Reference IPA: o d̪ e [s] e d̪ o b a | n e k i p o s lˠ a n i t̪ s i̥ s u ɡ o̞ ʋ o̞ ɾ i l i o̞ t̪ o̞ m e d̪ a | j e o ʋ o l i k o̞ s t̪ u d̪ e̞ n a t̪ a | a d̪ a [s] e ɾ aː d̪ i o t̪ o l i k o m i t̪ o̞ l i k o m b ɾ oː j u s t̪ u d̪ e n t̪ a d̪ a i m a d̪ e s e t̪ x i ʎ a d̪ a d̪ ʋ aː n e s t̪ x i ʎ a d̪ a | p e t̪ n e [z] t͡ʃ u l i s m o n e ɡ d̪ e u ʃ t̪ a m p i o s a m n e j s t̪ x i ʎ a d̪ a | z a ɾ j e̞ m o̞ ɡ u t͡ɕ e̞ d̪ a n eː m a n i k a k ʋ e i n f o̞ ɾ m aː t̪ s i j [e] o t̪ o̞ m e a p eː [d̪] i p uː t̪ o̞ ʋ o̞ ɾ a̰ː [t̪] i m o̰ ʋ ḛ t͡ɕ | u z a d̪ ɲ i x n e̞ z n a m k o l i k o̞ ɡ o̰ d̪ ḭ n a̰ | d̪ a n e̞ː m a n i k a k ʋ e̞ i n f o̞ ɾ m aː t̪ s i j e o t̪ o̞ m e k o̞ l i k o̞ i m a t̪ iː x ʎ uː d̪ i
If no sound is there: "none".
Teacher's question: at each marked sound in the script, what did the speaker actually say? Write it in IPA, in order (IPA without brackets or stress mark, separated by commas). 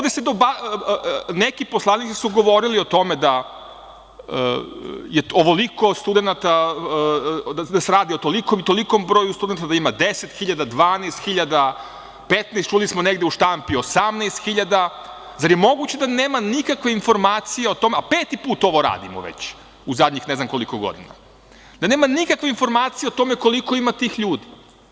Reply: s, s, s, e, t̪, d̪